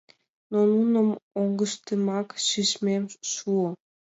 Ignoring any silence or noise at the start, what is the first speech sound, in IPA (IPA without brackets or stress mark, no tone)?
n